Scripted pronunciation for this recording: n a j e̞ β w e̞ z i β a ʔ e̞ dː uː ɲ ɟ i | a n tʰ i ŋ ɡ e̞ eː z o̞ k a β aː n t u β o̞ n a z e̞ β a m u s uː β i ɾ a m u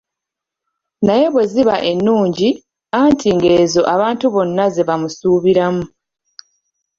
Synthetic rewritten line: n a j e̞ β w e̞ z i β a ʔ e̞ nː uː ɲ ɟ i | a n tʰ i ŋ ɡ e̞ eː z o̞ ʔ a β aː n t u β o̞ nː a z e̞ β a m u s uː β i ɾ a m u